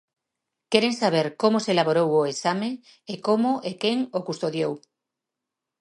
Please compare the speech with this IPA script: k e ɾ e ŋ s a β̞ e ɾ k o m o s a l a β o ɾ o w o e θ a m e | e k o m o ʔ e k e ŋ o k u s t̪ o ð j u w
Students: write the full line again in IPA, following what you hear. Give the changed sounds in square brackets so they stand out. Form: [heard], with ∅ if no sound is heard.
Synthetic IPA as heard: k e ɾ e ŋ s a β̞ e ɾ k o m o s [e] l a β o ɾ o w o e [s] a m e | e k o m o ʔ e k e ŋ o k u s t̪ o ð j [o] w